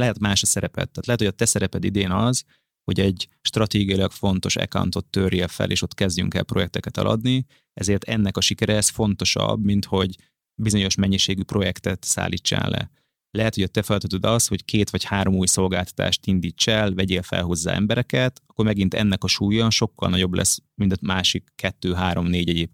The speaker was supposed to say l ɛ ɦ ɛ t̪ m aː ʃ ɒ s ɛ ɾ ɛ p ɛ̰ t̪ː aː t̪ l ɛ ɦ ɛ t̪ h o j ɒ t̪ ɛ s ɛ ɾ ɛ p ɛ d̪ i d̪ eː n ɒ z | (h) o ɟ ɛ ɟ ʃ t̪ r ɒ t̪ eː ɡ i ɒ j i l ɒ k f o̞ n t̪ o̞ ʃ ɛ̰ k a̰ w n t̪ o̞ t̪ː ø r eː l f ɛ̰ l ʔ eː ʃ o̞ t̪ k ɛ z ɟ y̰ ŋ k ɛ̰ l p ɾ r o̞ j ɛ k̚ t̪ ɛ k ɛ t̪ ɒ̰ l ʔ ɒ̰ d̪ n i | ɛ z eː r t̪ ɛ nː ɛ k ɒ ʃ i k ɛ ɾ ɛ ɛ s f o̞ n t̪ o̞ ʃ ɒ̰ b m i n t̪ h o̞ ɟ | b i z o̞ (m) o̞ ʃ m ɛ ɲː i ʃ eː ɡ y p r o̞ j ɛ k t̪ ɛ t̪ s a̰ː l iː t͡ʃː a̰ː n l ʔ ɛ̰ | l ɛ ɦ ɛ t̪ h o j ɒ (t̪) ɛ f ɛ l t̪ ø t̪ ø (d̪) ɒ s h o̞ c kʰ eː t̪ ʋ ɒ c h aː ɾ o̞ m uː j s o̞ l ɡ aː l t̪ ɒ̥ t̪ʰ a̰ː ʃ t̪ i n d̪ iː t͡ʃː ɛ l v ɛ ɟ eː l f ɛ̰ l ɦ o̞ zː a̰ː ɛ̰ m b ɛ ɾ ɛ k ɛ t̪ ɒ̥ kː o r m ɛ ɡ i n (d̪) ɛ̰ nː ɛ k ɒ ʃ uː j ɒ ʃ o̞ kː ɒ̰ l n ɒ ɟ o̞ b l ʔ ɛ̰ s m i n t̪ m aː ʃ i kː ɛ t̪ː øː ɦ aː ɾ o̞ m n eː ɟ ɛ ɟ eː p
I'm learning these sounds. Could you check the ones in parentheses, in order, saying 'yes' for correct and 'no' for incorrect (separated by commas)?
yes, no, yes, yes, no